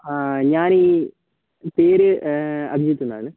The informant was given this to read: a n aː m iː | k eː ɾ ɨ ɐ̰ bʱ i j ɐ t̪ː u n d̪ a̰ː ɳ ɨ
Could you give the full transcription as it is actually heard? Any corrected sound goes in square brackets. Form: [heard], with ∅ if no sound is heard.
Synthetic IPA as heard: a [ɲ] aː [n] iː | [p] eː ɾ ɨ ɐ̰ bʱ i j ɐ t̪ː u n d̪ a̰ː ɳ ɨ